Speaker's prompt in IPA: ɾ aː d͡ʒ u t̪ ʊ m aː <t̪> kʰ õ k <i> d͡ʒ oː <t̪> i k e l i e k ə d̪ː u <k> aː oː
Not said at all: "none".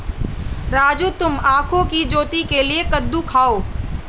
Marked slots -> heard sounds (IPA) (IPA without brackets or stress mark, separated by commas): none, i, t̪, kʰ